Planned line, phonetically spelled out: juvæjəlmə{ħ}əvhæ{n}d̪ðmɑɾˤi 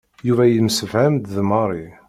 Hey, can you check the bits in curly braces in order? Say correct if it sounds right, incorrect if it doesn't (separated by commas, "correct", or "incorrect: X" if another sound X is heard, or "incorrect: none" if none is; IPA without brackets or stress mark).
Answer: incorrect: s, incorrect: m